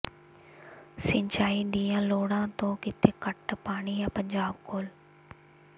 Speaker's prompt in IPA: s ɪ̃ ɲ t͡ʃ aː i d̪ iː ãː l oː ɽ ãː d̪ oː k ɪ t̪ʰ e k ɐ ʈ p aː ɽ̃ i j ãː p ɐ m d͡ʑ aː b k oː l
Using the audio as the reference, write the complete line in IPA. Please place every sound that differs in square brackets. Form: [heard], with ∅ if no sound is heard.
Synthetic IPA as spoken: s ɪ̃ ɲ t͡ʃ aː i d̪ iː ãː l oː ɽ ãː [t̪] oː k ɪ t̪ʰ e k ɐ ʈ p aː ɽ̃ i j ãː p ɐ [ɲ] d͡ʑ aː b k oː l